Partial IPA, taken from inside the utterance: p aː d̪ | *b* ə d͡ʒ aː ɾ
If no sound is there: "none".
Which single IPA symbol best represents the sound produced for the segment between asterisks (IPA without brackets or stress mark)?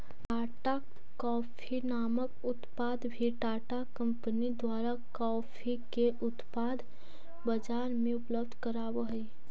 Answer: b